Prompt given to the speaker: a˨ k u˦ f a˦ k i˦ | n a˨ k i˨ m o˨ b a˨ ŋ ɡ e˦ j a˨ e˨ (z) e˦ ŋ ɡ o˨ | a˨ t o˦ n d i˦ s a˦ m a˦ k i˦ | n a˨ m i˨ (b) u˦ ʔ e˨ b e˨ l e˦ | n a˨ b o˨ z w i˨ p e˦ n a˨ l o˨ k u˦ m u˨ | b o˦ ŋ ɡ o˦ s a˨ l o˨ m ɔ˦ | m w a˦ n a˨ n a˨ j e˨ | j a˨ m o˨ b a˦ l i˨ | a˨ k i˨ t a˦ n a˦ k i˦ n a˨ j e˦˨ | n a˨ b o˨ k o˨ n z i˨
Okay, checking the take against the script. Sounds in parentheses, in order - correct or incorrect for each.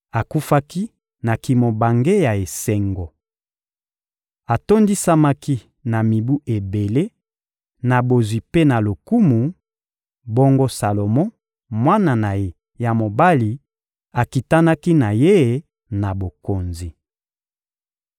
incorrect: s, correct

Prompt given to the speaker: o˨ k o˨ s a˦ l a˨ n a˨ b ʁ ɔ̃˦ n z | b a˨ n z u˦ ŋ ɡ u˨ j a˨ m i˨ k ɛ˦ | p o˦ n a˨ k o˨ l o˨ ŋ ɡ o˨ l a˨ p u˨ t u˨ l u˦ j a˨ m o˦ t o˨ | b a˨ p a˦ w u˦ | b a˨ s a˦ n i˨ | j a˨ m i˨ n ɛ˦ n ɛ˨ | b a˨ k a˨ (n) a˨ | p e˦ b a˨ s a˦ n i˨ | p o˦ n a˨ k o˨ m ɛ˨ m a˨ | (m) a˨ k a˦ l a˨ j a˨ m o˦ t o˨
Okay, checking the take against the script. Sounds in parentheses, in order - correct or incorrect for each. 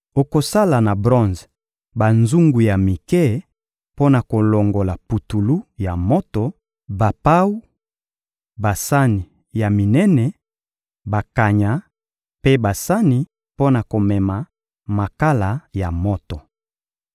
incorrect: ɲ, correct

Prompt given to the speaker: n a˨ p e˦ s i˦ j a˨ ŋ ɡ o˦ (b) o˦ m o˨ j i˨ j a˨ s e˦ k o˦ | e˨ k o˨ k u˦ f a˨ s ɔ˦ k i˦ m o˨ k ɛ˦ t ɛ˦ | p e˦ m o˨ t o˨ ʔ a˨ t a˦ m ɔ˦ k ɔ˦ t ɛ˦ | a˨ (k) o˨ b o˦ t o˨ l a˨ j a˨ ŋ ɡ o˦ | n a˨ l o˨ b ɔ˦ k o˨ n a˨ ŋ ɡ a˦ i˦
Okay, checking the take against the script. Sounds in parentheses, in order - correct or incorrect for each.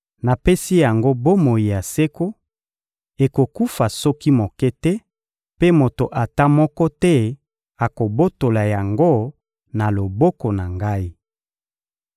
correct, correct

